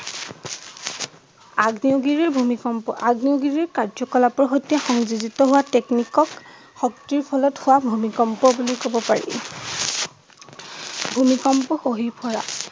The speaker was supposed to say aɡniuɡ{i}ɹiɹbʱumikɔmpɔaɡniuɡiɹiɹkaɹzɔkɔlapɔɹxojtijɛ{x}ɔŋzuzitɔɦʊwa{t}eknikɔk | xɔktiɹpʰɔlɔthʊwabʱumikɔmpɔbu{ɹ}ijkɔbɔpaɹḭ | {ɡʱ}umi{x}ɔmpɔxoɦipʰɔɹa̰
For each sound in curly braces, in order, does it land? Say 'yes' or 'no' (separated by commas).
yes, yes, yes, no, no, no